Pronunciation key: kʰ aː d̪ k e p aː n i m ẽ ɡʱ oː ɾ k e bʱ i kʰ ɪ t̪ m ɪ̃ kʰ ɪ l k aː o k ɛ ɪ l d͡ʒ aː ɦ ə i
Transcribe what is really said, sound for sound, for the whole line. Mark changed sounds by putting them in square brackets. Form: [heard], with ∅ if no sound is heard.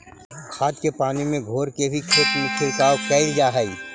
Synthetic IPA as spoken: kʰ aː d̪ k e p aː n i m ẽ ɡʱ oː ɾ k e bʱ i kʰ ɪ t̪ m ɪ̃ kʰ ɪ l k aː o k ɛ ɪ l d͡ʒ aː ɦ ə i